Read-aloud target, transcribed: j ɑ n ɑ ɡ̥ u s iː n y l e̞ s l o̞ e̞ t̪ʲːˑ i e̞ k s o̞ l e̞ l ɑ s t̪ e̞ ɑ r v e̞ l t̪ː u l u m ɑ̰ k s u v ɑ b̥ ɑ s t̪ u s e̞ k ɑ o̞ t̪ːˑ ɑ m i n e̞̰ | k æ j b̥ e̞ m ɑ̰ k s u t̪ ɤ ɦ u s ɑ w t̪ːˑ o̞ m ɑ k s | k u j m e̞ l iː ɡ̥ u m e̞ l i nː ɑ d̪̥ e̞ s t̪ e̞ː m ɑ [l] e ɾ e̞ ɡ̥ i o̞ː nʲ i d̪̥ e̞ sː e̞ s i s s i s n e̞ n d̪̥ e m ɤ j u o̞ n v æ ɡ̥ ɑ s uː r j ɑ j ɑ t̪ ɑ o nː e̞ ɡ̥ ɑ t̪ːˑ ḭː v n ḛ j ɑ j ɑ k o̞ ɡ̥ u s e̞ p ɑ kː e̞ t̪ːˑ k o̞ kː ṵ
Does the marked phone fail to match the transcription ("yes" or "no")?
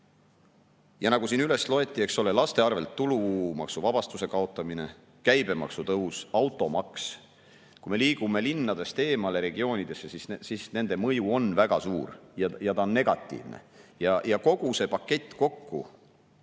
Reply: no